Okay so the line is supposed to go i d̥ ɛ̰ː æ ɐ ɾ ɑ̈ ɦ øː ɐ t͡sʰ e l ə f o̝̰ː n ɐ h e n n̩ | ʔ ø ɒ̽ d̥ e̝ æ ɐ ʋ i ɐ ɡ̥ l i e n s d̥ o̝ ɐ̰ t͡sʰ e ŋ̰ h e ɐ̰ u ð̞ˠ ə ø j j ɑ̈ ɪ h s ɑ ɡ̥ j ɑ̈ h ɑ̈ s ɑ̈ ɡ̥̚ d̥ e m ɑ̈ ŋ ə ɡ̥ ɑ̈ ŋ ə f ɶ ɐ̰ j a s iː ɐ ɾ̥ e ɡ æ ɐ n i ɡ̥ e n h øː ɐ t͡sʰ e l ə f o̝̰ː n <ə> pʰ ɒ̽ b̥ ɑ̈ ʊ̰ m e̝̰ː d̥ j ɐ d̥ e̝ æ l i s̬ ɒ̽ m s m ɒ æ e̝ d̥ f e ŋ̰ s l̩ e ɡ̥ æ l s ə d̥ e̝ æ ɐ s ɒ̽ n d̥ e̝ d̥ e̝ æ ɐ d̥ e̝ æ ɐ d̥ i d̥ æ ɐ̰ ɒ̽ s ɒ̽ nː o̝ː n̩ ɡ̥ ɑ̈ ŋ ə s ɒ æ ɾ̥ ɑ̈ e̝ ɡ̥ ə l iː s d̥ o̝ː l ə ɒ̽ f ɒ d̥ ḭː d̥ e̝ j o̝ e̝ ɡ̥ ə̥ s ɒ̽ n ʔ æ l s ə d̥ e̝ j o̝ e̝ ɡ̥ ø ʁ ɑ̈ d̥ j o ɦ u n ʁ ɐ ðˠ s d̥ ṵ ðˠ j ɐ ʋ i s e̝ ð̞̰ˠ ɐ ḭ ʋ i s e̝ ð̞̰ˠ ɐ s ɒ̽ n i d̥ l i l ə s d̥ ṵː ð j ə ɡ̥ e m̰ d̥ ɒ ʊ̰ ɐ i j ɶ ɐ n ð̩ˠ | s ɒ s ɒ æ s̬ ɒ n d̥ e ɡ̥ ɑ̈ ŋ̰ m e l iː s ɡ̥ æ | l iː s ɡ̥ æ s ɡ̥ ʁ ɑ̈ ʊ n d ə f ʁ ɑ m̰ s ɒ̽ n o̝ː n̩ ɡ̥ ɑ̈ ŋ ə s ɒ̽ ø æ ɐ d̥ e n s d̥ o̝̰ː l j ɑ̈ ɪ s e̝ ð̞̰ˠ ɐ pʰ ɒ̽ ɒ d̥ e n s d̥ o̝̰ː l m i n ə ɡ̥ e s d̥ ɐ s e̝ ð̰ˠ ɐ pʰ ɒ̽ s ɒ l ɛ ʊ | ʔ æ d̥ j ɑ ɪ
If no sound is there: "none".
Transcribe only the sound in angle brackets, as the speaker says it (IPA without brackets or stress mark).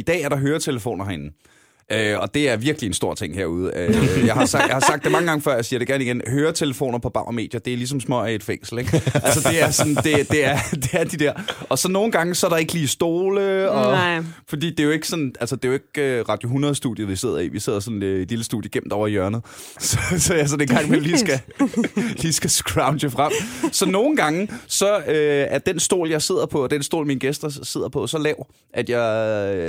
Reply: ɐ